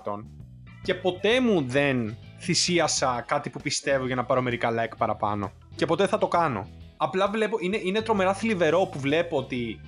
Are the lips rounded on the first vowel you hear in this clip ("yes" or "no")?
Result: yes